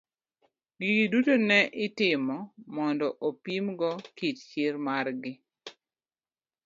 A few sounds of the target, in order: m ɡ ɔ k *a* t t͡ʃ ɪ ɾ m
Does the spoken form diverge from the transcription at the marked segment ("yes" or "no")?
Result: yes